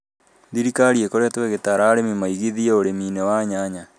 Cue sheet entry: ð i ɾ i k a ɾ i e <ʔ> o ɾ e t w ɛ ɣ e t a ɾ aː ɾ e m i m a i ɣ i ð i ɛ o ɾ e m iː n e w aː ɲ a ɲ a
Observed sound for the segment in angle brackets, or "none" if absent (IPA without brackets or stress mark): k